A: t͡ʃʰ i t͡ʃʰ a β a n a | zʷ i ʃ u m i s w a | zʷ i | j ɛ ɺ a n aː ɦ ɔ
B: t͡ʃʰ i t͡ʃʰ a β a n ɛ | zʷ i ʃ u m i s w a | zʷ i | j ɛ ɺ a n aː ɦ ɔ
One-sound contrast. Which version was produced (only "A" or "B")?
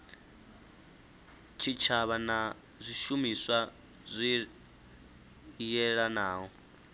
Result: A